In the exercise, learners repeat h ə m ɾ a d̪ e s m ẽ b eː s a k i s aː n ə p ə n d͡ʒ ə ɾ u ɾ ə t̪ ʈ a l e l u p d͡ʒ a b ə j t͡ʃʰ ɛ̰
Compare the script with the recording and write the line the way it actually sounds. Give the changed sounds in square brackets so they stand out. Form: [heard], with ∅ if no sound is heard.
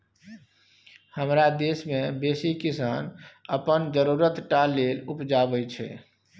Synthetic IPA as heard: h ə m ɾ a d̪ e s m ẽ b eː s [i] k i s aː n ə p ə n d͡ʒ ə ɾ u ɾ ə t̪ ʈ a l e l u p d͡ʒ a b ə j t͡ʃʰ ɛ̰